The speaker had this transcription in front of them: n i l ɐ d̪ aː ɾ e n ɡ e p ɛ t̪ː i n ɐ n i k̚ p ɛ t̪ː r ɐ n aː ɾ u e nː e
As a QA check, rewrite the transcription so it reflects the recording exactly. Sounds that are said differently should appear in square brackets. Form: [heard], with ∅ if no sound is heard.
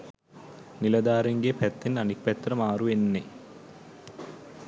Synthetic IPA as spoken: n i l ɐ d̪ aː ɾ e [ŋ] ɡ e p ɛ t̪ː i n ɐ n i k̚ p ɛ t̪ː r ɐ [m] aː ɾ u e nː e